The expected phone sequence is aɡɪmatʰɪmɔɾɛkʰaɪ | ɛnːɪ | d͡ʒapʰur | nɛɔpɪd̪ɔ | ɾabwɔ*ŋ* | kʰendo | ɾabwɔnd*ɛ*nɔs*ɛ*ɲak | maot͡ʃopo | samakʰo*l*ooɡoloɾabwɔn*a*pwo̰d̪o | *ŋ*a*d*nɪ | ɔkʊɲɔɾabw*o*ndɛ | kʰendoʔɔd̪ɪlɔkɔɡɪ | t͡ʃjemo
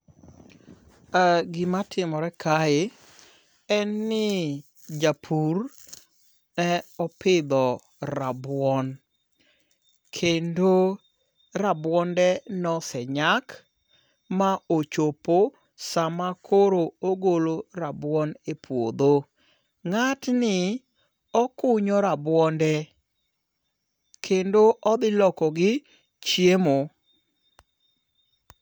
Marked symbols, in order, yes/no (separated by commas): no, yes, yes, no, no, yes, no, no